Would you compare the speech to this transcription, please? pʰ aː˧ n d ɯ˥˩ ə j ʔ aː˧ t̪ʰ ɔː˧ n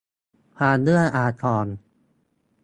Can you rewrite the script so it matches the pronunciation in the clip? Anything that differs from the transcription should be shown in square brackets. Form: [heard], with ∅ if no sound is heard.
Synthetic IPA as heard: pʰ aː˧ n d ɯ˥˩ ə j ʔ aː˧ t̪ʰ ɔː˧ n